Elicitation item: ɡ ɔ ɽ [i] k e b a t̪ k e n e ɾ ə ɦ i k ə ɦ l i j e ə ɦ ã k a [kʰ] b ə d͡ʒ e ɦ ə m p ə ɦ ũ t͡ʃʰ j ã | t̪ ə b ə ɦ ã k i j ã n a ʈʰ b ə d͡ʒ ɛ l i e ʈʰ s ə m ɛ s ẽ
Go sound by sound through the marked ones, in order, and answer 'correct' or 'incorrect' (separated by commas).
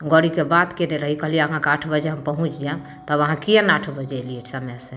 correct, incorrect